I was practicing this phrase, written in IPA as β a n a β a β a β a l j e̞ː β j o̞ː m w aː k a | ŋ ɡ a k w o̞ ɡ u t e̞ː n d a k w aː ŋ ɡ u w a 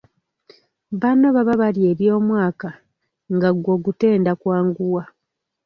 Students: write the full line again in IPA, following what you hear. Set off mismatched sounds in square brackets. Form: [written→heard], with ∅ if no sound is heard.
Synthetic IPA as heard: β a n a β a β a β a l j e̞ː β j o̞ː m w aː k a | ŋ ɡ a [k→ɡ] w o̞ ɡ u t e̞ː n d a k w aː ŋ ɡ u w a